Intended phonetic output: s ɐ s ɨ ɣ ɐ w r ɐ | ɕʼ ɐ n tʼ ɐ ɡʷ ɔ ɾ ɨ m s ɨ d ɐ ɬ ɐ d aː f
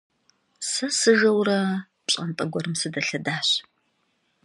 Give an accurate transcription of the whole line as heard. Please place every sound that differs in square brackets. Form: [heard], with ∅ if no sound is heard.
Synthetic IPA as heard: s ɐ s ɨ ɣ ɐ w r ɐ | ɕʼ ɐ n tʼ ɐ ɡʷ ɔ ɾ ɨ m s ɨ d ɐ ɬ ɐ d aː [ɕ]